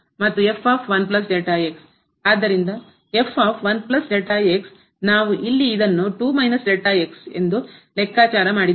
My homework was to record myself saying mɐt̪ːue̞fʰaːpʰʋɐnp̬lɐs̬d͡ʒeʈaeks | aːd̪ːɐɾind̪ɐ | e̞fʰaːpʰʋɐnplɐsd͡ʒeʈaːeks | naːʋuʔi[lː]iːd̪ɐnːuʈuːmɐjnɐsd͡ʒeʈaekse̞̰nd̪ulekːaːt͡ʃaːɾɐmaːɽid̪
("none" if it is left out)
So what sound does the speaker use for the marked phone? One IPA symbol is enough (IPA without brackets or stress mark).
lː